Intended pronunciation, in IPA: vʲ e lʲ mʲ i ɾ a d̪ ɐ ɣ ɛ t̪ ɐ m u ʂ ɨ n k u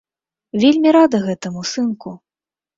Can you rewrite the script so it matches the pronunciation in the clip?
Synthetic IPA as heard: vʲ e lʲ mʲ i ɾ a d̪ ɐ ɣ ɛ t̪ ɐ m u s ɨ n k u